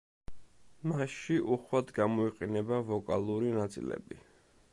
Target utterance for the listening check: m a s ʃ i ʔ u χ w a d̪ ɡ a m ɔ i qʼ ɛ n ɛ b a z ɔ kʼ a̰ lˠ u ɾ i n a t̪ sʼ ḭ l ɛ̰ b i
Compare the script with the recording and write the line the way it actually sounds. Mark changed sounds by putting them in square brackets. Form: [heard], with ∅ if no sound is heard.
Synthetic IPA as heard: m a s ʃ i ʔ u χ w a d̪ ɡ a m ɔ i qʼ ɛ n ɛ b a [v] ɔ kʼ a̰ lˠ u ɾ i n a t̪ sʼ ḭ l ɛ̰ b i